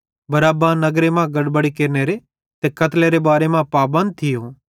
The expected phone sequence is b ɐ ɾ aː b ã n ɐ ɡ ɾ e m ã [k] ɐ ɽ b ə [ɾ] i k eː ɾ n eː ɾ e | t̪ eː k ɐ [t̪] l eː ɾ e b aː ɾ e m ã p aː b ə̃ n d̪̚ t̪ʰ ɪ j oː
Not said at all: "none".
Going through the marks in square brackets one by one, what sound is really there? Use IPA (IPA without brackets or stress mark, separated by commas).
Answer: ɡ, ɽ, t̪